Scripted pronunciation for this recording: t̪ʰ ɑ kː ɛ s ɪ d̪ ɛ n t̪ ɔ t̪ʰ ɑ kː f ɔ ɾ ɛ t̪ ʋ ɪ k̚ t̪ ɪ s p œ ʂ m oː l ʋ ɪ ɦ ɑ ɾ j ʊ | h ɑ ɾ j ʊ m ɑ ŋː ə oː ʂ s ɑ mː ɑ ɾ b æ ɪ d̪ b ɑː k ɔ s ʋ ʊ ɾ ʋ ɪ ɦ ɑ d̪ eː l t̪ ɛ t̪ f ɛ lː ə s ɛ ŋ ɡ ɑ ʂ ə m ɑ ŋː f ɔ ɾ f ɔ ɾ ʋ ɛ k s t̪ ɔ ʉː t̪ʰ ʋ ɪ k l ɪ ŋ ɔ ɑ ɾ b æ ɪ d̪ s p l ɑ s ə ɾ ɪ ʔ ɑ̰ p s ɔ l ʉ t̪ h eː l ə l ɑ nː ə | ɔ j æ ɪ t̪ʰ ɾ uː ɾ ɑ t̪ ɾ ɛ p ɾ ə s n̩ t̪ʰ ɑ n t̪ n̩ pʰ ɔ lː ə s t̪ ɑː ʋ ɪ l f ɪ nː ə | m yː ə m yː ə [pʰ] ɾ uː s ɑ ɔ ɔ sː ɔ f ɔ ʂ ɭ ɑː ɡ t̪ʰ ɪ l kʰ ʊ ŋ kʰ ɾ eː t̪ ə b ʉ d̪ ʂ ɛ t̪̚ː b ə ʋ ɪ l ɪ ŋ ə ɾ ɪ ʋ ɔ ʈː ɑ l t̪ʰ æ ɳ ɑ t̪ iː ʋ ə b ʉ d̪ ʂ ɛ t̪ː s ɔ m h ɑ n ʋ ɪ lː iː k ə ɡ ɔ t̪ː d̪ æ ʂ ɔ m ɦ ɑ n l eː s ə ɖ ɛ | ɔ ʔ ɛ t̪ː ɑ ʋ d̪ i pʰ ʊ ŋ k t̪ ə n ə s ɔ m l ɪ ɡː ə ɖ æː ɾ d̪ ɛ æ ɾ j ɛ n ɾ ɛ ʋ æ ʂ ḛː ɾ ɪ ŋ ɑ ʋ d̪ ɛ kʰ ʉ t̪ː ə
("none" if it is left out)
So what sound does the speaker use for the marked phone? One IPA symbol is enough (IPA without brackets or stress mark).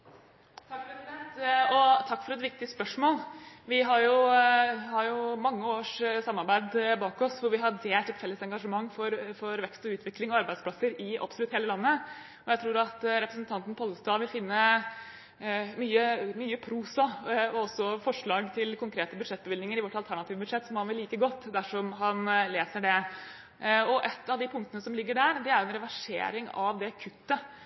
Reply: pʰ